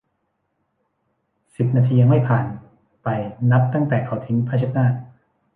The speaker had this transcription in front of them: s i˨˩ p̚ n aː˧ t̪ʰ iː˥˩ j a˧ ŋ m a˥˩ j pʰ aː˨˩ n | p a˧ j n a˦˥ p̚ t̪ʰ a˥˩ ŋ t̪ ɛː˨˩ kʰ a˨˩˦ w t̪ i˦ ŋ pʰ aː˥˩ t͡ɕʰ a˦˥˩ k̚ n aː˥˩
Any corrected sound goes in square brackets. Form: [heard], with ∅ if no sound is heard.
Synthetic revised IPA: s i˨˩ p̚ n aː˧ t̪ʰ [iː˧] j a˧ ŋ m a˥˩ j pʰ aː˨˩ n | p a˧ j n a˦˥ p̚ [t̪] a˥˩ ŋ t̪ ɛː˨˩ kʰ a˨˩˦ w [t̪ʰ] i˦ ŋ pʰ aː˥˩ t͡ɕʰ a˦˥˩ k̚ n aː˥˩

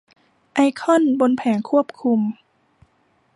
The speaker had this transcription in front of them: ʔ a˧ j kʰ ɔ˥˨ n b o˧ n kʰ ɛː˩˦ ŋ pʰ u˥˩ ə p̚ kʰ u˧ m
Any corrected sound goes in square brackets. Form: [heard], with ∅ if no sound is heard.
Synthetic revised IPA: ʔ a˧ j kʰ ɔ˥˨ n b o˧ n [pʰ] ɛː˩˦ ŋ [kʰ] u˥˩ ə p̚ kʰ u˧ m

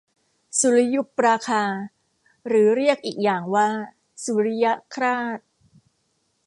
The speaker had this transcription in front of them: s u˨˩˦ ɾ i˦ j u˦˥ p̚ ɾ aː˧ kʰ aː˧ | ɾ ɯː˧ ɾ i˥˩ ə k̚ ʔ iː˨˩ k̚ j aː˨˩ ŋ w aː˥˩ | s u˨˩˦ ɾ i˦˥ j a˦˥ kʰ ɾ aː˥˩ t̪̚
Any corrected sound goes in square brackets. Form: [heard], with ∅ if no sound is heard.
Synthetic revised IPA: s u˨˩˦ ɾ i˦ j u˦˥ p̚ ɾ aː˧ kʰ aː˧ | ɾ [ɯː˩˦] ɾ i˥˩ ə k̚ ʔ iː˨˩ k̚ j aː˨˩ ŋ w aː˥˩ | s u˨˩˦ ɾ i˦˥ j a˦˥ kʰ ɾ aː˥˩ t̪̚

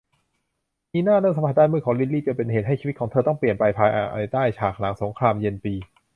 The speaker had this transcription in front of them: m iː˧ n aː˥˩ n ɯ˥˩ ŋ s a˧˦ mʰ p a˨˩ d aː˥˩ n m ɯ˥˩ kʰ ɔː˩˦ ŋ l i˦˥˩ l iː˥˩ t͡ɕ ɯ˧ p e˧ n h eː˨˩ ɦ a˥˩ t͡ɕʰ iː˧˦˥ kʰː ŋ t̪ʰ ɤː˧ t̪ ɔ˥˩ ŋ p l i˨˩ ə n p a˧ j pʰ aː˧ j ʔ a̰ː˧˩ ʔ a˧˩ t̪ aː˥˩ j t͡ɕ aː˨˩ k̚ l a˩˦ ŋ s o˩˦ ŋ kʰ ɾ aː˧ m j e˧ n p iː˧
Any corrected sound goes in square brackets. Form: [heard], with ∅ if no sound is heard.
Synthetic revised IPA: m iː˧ n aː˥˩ n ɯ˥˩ ŋ s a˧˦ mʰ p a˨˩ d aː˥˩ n m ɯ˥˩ kʰ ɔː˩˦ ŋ l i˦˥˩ l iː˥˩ t͡ɕ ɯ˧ p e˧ n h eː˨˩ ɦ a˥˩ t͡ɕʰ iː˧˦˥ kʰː ŋ t̪ʰ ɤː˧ t̪ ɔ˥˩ ŋ p l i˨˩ ə n p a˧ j pʰ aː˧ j ʔ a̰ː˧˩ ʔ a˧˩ t̪ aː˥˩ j [t͡ɕʰ] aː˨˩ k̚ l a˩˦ ŋ s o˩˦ ŋ kʰ ɾ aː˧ m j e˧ n p iː˧

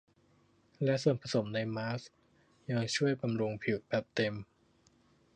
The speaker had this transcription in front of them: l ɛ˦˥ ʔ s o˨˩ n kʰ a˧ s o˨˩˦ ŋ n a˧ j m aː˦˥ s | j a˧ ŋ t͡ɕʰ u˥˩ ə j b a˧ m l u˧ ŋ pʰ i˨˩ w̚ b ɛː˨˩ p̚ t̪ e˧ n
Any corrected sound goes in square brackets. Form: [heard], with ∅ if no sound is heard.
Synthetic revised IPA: l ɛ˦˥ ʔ s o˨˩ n [pʰ] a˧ s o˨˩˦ [m] n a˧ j m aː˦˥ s | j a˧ ŋ t͡ɕʰ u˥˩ ə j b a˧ m [ɾ] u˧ ŋ pʰ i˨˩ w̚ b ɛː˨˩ p̚ t̪ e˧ [m]

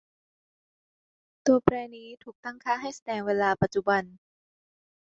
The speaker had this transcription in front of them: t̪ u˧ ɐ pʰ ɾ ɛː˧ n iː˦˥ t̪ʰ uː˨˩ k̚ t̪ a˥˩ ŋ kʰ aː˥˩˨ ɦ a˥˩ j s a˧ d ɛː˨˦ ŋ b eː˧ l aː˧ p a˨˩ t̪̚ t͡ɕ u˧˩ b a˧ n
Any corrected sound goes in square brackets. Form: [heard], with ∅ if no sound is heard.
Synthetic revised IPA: t̪ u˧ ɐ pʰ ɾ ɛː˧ n iː˦˥ t̪ʰ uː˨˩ k̚ t̪ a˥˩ ŋ kʰ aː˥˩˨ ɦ a˥˩ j s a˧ d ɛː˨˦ ŋ [w] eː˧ l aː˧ p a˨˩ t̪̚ t͡ɕ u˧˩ b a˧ n

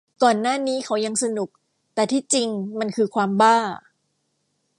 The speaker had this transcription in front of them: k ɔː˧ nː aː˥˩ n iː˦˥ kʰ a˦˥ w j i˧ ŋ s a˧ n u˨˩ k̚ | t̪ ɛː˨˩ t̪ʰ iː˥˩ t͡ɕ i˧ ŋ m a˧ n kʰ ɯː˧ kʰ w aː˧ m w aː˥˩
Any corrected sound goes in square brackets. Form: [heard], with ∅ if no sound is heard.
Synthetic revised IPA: k [ɔː˨˩] nː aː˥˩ n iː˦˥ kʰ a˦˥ w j [a˧] ŋ s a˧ n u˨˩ k̚ | t̪ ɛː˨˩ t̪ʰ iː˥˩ t͡ɕ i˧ ŋ m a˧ n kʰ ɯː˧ kʰ w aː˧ m [b] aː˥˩

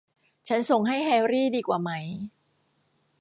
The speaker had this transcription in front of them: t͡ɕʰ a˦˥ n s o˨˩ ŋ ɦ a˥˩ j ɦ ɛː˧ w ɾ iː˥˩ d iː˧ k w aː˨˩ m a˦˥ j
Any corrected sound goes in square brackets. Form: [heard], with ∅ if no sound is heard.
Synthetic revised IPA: t͡ɕʰ a˦˥ n s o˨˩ ŋ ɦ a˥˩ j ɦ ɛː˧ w ɾ iː˥˩ d iː˧ k w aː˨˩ m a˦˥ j

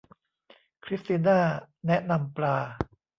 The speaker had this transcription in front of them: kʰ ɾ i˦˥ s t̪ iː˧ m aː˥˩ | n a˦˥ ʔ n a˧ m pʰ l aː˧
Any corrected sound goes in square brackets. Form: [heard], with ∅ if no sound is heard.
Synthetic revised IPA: kʰ ɾ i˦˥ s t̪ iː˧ [n] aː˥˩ | n [ɛ˦˥] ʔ n a˧ m [p] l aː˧

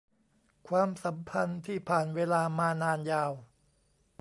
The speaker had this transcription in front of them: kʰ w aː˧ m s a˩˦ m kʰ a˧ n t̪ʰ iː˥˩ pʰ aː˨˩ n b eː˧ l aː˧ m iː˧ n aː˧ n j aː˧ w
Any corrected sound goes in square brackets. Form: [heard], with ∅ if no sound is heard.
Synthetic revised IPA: kʰ w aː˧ m s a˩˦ m [pʰ] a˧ n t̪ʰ iː˥˩ pʰ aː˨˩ n [w] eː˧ l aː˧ m [aː˧] n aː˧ n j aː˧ w

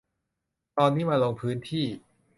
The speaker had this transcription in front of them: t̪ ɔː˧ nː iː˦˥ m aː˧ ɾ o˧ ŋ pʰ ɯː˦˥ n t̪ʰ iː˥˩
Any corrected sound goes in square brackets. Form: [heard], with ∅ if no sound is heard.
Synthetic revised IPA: t̪ ɔː˧ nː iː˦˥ m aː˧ [l] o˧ ŋ pʰ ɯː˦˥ n t̪ʰ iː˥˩

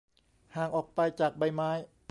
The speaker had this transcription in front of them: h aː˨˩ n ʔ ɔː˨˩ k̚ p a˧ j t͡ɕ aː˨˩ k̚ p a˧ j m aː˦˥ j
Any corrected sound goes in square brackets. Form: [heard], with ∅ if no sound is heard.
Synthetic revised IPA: h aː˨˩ [ŋ] ʔ ɔː˨˩ k̚ p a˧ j t͡ɕ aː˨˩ k̚ [b] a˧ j m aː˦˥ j

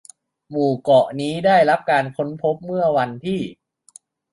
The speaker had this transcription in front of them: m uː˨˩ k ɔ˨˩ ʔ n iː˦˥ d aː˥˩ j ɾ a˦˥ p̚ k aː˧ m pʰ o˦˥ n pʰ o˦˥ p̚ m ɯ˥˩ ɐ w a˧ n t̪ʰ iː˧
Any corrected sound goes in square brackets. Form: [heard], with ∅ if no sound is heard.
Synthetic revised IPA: m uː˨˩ k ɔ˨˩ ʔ n iː˦˥ d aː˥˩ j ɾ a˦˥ p̚ k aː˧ [n] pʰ o˦˥ n pʰ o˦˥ p̚ m ɯ˥˩ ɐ w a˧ n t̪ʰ [iː˥˩]

